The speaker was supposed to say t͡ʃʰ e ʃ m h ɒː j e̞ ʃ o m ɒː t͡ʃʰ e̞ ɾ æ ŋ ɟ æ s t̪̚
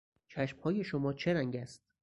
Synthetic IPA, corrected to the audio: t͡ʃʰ æ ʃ m h ɒː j e̞ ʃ o m ɒː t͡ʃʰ e̞ ɾ æ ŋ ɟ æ s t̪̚